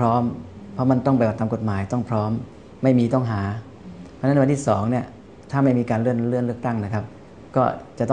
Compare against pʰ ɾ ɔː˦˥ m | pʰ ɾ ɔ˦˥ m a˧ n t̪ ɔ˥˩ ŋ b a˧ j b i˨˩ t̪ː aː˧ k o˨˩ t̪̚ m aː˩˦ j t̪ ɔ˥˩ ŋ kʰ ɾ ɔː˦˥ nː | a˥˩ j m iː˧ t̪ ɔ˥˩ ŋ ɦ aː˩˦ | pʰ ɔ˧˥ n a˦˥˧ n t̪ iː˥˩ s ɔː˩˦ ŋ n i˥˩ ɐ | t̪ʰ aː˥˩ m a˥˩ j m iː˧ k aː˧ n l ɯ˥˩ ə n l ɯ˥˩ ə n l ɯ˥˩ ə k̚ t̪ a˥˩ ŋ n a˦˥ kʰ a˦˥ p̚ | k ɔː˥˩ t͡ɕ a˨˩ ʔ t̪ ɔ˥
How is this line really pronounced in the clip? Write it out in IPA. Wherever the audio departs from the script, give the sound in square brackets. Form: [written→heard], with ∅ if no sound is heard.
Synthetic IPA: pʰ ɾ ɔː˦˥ m | pʰ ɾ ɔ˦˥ m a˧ n t̪ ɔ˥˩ ŋ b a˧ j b [i˨˩→a˨˩] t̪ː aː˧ k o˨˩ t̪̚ m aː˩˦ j t̪ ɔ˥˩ ŋ [kʰ→pʰ] ɾ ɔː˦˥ [nː→mː] | a˥˩ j m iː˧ t̪ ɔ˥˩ ŋ ɦ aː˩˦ | pʰ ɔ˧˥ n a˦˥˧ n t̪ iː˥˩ s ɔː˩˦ ŋ n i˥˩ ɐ | t̪ʰ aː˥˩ m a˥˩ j m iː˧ k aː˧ n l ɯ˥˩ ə n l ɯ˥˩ ə n l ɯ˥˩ ə k̚ t̪ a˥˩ ŋ n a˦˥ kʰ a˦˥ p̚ | k ɔː˥˩ t͡ɕ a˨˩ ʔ t̪ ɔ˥